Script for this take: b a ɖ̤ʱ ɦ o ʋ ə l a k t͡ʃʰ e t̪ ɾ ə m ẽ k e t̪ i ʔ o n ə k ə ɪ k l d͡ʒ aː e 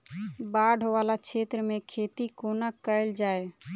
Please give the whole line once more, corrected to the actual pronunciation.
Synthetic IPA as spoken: b a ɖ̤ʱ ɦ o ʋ a l a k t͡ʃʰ e t̪ ɾ ə m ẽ kʰ e t̪ i k o n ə k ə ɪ l d͡ʒ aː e